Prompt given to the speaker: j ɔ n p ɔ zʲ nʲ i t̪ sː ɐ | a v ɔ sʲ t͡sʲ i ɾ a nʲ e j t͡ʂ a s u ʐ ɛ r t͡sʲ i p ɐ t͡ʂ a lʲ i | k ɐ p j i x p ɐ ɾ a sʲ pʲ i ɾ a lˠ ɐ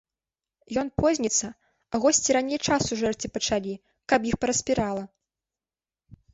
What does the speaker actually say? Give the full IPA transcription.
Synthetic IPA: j ɔ n p ɔ zʲ nʲ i t̪ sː ɐ | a ɣ ɔ sʲ t͡sʲ i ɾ a nʲ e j t͡ʂ a s u ʐ ɛ r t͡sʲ i p ɐ t͡ʂ a lʲ i | k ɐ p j i x p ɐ ɾ ɐ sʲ pʲ i ɾ a lˠ ɐ